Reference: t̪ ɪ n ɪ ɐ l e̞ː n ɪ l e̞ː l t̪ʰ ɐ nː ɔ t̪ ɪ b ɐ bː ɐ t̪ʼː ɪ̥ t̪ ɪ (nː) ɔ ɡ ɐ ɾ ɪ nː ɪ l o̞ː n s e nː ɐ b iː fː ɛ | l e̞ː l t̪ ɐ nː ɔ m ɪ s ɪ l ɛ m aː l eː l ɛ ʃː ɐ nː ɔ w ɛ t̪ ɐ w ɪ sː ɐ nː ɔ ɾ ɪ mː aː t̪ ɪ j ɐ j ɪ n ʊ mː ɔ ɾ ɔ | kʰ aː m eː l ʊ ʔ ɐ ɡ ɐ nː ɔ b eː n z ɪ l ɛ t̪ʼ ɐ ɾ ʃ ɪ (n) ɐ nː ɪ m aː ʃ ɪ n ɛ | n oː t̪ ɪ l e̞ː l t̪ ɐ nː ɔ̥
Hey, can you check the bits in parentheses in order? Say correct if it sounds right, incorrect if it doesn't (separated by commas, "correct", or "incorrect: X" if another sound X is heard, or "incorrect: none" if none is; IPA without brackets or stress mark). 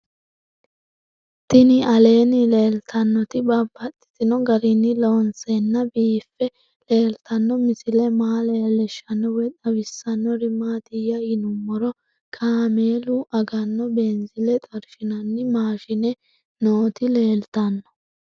incorrect: n, correct